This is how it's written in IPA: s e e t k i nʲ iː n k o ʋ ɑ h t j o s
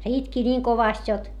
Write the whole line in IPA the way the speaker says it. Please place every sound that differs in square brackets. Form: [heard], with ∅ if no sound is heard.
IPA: s e [i] t k i nʲ iː [ŋ] k o ʋ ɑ [s] t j o [t]